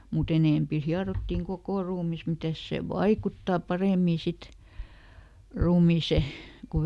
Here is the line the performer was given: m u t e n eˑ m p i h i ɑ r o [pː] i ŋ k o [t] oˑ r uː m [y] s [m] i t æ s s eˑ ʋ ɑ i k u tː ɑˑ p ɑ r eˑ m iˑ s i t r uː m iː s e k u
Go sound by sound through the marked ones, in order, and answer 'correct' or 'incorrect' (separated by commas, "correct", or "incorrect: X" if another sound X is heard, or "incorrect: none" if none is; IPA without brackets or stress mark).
incorrect: tː, incorrect: k, incorrect: i, correct